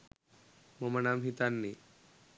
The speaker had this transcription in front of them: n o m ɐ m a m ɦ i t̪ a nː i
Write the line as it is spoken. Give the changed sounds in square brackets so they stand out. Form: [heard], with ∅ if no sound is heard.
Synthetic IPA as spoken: [m] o m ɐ [n] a m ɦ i t̪ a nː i

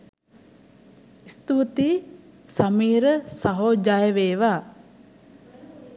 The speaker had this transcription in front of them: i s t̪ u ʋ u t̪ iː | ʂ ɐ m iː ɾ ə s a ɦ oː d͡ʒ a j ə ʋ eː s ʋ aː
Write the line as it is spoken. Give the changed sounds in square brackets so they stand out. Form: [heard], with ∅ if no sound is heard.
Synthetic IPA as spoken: i s t̪ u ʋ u t̪ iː | [s] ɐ m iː ɾ ə s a ɦ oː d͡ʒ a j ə ʋ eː [∅] ʋ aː

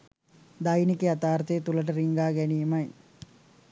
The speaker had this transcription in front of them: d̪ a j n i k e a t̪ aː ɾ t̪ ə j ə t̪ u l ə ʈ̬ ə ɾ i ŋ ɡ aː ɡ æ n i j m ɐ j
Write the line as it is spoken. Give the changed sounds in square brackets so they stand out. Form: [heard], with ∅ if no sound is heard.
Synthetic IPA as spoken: d̪ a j n i k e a t̪ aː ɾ t̪ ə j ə t̪ u l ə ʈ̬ ə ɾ i ŋ ɡ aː ɡ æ n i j m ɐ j

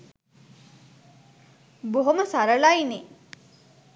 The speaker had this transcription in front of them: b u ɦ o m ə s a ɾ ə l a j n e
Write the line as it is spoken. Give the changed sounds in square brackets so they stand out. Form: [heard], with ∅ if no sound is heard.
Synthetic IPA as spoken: b [o] ɦ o m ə s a ɾ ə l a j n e

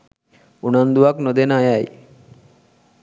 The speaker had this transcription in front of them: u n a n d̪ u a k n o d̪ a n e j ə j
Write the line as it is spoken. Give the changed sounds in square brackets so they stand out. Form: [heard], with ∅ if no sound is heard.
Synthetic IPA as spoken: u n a n d̪ u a k n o d̪ [e] n [a] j [a] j

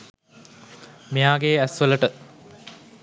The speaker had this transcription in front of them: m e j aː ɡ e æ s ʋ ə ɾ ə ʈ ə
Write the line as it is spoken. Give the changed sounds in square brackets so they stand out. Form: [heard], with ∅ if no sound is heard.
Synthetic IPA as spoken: m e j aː ɡ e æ s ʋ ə [l] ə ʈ ə

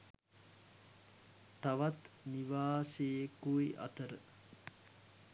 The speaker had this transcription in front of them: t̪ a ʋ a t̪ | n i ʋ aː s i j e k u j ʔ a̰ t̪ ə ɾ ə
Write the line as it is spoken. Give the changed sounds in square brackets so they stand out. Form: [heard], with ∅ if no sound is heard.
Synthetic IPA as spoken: t̪ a ʋ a t̪ | n i ʋ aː s [e] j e k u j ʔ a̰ t̪ ə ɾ ə

